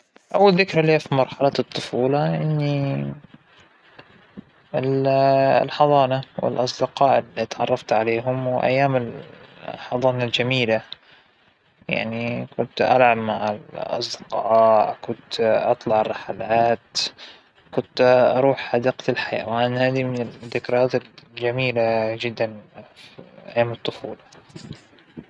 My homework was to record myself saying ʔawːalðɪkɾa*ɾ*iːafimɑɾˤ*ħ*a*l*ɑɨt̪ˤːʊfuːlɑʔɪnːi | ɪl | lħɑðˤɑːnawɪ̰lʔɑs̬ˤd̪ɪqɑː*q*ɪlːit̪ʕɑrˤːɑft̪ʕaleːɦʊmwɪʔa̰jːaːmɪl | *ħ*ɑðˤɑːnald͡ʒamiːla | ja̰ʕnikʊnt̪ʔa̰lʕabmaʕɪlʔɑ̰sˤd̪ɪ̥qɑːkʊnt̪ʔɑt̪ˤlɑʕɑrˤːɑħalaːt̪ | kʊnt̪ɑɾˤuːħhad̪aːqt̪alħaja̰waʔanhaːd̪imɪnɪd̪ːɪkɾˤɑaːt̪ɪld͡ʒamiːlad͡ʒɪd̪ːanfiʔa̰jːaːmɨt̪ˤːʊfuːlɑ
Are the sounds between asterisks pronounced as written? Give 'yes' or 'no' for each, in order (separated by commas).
no, yes, yes, no, yes